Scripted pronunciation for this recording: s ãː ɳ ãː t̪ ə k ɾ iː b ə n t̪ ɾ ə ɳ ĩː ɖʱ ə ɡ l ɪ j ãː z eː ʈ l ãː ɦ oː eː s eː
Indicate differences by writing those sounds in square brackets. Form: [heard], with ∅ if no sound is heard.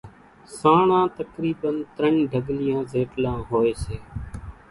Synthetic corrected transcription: s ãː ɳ ãː t̪ ə k ɾ iː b ə n t̪ ɾ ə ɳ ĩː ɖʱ ə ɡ l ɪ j ãː z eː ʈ l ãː ɦ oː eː s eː